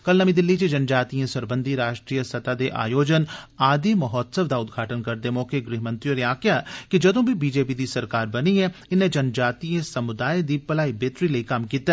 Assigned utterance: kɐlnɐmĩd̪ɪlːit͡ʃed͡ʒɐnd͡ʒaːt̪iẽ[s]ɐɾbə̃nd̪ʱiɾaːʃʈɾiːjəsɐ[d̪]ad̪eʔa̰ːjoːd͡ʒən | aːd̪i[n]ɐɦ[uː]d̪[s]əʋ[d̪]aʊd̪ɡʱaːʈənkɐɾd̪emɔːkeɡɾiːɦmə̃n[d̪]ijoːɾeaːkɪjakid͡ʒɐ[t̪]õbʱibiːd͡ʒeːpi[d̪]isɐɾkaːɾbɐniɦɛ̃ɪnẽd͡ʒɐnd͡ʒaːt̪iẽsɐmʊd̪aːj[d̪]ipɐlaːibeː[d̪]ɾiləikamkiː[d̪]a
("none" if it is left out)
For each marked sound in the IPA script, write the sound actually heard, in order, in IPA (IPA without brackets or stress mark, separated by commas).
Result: s, t̪, m, ɔː, s, d̪, t̪, d̪, d̪, d̪, t̪, t̪